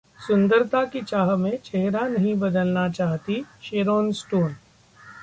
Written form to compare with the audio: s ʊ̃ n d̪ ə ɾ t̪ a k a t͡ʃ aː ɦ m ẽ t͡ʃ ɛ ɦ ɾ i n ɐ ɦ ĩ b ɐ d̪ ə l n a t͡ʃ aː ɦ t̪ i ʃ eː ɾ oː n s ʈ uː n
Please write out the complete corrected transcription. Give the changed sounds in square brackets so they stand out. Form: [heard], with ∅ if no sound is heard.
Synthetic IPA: s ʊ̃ n d̪ ə ɾ t̪ a k [i] t͡ʃ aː ɦ m ẽ t͡ʃ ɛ ɦ ɾ [a] n ɐ ɦ ĩ b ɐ d̪ ə l n a t͡ʃ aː ɦ t̪ i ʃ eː ɾ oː n s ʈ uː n